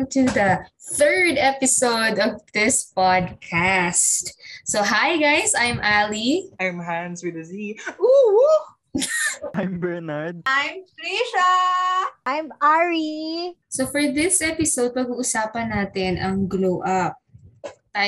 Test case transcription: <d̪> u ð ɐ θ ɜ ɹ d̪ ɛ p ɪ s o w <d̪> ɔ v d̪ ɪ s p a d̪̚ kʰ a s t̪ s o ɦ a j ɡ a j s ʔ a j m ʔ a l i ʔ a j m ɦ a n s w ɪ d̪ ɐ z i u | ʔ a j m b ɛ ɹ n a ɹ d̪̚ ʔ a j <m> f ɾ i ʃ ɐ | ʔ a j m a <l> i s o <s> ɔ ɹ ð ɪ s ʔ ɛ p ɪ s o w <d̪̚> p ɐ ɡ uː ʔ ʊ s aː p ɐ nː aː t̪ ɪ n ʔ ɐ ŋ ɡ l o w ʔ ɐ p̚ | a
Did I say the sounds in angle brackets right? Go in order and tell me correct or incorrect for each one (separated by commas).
incorrect, correct, correct, incorrect, incorrect, correct